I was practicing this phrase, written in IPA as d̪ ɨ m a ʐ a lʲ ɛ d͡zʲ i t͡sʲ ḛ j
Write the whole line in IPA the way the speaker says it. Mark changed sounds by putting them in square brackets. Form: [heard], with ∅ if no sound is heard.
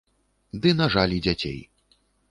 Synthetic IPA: d̪ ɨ [n] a ʐ a lʲ [i] d͡zʲ [a] t͡sʲ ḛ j